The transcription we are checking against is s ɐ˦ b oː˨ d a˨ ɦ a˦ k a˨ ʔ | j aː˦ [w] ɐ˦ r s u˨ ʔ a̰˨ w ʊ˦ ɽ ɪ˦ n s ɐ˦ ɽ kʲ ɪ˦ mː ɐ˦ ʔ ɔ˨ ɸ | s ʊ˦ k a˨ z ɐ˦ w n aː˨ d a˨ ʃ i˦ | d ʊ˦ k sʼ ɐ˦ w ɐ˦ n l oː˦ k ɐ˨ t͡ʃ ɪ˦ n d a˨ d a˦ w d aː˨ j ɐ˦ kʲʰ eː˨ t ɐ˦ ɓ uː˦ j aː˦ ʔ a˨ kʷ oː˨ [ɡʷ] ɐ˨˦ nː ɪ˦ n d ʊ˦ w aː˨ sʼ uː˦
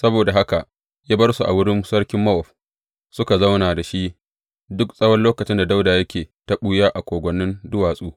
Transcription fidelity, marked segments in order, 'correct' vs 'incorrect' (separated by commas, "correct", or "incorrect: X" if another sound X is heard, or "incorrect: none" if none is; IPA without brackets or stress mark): incorrect: b, correct